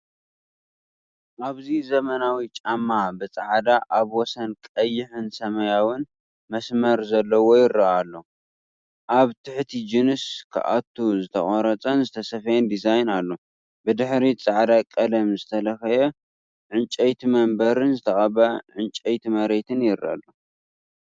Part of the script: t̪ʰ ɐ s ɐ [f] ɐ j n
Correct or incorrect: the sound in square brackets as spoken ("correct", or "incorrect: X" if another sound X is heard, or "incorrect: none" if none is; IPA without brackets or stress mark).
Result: correct